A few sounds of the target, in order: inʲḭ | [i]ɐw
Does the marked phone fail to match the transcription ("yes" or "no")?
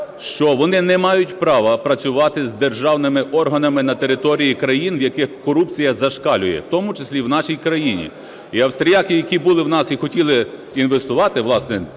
no